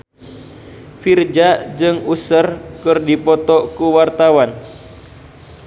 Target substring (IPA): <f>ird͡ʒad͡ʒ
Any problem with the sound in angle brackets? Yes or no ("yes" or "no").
no